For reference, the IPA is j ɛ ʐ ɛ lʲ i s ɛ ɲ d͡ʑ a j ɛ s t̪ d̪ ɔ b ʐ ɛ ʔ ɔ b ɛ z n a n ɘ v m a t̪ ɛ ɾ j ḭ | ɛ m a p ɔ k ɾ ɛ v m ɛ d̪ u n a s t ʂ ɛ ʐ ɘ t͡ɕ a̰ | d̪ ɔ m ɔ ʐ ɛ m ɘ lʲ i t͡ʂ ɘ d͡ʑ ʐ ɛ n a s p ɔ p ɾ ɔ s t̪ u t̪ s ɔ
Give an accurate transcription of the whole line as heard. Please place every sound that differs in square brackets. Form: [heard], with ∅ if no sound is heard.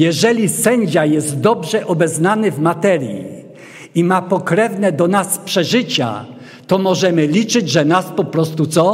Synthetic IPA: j ɛ ʐ ɛ lʲ i s ɛ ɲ d͡ʑ a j ɛ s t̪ d̪ ɔ b ʐ ɛ ʔ ɔ b ɛ z n a n ɘ v m a t̪ ɛ ɾ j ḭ | [i] m a p ɔ k ɾ ɛ v [n] ɛ d̪ [ɔ] n a s [p] ʂ ɛ ʐ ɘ t͡ɕ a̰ | [t̪] ɔ m ɔ ʐ ɛ m ɘ lʲ i t͡ʂ ɘ d͡ʑ ʐ ɛ n a s p ɔ p ɾ ɔ s t̪ u t̪ s ɔ